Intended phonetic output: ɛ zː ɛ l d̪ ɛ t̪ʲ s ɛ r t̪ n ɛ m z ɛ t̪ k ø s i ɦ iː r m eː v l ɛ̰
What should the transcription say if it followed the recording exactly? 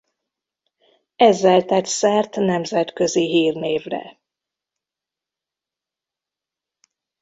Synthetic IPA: ɛ zː ɛ l t̪ ɛ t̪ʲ s ɛ r t̪ n ɛ m z ɛ t̪ k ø z i ɦ iː r n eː v r ɛ̰